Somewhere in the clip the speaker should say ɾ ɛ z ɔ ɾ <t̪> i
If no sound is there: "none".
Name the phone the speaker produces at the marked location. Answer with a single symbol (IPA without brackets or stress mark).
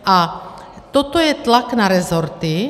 t̪